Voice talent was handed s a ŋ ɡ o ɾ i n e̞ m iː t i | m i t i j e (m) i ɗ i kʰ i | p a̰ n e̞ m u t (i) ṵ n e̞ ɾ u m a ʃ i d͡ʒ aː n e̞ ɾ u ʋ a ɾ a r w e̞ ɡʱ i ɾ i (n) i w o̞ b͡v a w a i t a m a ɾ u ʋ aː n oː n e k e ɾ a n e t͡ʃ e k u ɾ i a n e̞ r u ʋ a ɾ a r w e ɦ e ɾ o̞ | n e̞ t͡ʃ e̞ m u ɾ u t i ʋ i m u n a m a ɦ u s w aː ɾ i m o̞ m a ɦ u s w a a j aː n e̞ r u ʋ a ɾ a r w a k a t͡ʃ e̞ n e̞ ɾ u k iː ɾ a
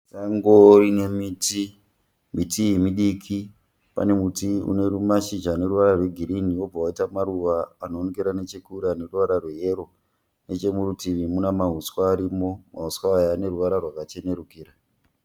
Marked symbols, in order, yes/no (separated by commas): yes, yes, yes